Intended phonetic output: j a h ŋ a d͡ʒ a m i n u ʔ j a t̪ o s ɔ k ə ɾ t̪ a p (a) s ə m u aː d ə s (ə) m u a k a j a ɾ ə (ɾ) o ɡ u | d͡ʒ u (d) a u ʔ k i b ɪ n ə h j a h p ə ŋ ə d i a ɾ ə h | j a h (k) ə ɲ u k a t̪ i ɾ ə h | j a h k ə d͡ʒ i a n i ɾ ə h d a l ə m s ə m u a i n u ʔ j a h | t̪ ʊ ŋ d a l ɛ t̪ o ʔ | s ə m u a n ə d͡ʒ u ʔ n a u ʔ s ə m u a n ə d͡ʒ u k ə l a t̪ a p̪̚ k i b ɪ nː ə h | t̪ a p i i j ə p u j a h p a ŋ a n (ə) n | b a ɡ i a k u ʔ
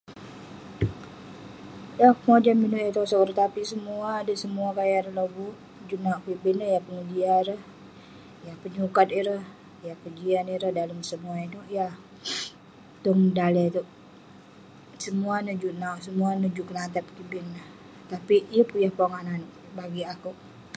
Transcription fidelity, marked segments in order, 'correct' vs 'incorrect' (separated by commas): incorrect, correct, incorrect, incorrect, incorrect, incorrect